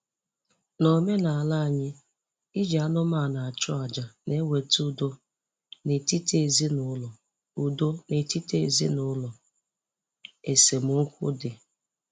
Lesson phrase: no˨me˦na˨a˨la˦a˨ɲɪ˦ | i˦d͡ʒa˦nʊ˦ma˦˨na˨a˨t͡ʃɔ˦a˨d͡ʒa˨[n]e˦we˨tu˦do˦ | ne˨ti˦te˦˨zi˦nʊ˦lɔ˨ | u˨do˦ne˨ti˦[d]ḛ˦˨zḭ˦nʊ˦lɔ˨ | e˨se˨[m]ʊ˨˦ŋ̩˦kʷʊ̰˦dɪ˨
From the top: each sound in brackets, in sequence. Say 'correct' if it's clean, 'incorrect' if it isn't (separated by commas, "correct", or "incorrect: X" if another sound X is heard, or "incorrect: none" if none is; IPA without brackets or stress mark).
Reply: correct, incorrect: t, correct